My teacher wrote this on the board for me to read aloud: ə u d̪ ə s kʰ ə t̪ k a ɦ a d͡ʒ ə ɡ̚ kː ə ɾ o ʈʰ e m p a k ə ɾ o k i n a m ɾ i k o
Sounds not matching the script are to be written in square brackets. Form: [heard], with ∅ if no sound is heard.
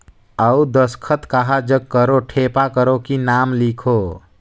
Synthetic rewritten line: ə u d̪ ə s kʰ ə t̪ k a ɦ a d͡ʒ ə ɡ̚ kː ə ɾ o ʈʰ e [∅] p a k ə ɾ o k i n a m [l] i [kʰ] o